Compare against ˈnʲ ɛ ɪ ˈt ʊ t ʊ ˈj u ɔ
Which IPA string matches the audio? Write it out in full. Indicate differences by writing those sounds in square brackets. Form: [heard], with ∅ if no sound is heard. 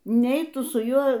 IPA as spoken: ˈnʲ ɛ ɪ ˈt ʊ [s] ʊ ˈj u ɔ